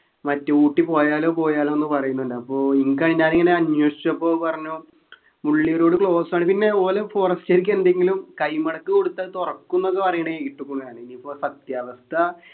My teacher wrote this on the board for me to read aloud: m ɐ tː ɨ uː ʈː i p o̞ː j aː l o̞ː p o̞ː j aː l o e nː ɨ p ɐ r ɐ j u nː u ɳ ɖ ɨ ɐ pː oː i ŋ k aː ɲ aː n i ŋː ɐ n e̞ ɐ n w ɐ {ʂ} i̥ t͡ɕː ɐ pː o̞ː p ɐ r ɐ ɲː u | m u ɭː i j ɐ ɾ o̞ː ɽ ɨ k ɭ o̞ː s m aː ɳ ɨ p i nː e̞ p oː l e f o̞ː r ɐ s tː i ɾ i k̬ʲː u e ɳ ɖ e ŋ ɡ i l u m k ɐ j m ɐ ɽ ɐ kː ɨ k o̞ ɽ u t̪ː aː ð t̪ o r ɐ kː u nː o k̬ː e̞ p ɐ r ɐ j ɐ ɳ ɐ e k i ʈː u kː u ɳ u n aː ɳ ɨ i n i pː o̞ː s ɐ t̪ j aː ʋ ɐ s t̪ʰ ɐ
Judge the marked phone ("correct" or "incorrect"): correct